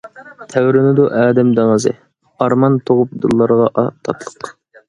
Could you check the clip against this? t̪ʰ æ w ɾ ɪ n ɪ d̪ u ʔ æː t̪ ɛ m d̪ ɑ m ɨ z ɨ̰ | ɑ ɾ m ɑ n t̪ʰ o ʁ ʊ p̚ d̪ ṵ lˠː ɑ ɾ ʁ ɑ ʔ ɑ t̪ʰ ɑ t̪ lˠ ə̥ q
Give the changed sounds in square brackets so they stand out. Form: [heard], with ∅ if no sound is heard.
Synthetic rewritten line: t̪ʰ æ w ɾ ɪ n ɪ d̪ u ʔ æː [d̪] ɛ m d̪ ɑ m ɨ z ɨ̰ | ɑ ɾ m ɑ n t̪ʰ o ʁ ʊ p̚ d̪ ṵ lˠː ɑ ɾ ʁ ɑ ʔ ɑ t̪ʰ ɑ t̪ lˠ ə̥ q